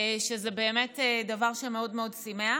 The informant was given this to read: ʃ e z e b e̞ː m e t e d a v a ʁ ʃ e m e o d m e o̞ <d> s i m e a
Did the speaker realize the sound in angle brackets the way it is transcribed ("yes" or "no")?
yes